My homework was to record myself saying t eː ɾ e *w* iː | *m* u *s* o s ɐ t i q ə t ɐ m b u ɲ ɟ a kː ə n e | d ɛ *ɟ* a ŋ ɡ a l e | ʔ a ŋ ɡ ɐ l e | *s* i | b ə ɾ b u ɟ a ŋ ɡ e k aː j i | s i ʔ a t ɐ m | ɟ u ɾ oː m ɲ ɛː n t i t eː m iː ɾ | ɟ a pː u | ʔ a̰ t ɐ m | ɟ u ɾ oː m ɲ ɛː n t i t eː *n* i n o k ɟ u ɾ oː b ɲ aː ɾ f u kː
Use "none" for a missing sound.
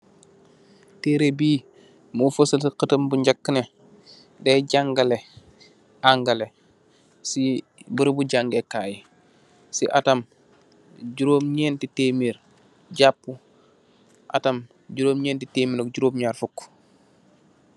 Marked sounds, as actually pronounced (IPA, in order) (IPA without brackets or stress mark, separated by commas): b, m, f, ɟ, s, m